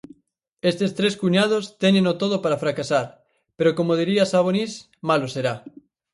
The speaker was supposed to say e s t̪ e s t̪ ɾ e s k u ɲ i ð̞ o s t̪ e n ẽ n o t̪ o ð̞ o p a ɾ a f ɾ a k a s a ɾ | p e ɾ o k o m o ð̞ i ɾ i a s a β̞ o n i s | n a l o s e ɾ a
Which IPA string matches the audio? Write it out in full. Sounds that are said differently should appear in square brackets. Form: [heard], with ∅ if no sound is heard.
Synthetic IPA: e s t̪ e s t̪ ɾ e s k u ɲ [a] ð̞ o s t̪ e n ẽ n o t̪ o ð̞ o p a ɾ a f ɾ a k a s a ɾ | p e ɾ o k o m o ð̞ i ɾ i a s a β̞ o n i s | [m] a l o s e ɾ a

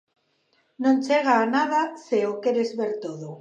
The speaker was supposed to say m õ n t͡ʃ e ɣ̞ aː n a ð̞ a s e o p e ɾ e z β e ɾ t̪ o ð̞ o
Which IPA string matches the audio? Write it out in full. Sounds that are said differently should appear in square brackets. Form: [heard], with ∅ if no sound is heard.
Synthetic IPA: [n] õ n t͡ʃ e ɣ̞ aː n a ð̞ a s e o [k] e ɾ e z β e ɾ t̪ o ð̞ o

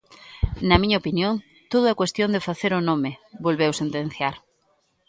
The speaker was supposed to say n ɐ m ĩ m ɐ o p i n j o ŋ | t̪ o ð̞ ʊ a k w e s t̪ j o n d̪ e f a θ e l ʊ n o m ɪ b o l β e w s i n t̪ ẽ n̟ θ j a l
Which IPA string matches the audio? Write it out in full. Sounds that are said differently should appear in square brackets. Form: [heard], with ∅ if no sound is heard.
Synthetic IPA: n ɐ m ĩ [ɲ] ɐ o p i n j o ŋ | t̪ o ð̞ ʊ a k w e s t̪ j o n d̪ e f a θ e [ɾ] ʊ n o m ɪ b o l β e w s [e] n t̪ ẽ n̟ θ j a [ɾ]

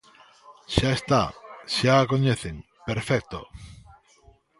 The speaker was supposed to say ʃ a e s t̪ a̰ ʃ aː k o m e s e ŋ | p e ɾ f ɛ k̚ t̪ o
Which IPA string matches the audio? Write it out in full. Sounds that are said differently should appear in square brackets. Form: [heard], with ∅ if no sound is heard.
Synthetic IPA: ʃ a e s t̪ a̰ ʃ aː k o [ɲ] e [θ] e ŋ | p e ɾ f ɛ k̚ t̪ o

